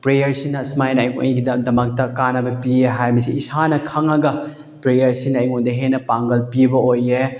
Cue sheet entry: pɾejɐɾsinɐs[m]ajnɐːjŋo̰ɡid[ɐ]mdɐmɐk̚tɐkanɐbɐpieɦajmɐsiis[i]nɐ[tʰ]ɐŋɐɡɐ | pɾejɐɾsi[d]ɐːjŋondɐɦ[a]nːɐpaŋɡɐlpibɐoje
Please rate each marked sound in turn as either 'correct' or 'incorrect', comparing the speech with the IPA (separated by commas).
correct, correct, incorrect, incorrect, incorrect, incorrect